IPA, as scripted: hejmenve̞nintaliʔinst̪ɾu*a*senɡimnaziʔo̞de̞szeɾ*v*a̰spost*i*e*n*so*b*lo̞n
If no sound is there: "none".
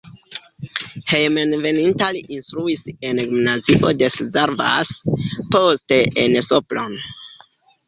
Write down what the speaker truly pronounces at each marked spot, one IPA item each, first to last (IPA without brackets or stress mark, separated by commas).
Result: i, v, e, n, p